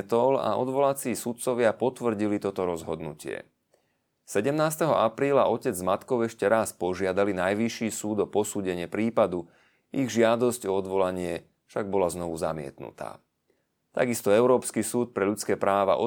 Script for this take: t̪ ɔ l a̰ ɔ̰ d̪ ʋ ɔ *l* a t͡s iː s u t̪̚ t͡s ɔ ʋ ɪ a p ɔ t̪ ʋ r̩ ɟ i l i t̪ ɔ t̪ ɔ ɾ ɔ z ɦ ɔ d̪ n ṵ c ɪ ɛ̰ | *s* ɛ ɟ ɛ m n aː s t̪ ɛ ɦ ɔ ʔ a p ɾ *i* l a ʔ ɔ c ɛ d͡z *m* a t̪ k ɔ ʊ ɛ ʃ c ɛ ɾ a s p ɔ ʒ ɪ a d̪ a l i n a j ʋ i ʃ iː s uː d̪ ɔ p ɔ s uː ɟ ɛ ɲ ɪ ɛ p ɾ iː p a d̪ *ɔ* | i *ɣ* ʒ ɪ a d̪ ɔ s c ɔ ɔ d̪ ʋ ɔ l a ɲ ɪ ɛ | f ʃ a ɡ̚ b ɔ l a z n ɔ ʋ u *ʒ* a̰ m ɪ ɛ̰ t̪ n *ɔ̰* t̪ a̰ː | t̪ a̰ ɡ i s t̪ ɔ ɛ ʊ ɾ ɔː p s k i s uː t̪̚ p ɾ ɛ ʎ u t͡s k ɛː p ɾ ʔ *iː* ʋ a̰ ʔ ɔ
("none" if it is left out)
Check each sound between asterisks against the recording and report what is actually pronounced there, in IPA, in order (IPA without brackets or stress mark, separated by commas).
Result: l, s, iː, m, u, ɣ, z, ṵ, aː